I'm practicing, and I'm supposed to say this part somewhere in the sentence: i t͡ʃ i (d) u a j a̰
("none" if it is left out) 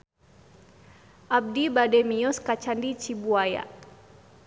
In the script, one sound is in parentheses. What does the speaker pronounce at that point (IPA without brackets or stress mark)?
b